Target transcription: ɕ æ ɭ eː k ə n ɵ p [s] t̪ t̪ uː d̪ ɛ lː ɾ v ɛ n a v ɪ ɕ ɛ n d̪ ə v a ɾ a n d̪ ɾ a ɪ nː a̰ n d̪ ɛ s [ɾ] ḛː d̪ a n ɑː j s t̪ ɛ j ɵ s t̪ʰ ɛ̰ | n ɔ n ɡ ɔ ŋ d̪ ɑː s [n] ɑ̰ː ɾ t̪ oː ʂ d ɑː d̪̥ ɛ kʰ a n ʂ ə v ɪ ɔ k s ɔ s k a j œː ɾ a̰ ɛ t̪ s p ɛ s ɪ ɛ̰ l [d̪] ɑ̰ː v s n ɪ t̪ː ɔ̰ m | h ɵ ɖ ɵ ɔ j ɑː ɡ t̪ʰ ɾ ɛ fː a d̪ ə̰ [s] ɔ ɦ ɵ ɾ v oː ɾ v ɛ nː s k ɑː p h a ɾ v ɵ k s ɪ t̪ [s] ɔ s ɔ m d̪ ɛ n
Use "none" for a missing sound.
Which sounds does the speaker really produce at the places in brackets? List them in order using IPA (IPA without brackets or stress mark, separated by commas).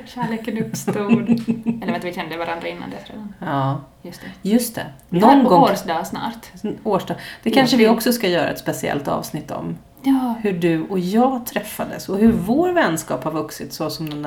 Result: s, ɾ, n, t̪, s, s